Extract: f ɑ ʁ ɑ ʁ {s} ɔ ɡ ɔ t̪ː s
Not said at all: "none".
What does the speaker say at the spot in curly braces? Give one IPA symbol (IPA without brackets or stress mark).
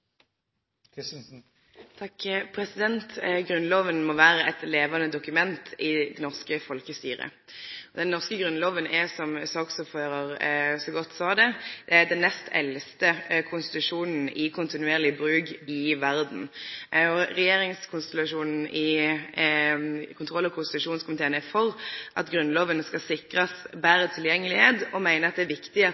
s